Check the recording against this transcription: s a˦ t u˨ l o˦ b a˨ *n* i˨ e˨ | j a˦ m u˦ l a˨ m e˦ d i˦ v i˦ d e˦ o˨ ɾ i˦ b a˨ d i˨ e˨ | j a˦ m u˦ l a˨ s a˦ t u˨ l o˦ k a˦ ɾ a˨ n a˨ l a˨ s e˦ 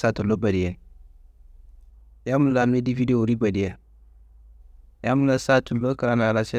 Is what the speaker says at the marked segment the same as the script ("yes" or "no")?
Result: no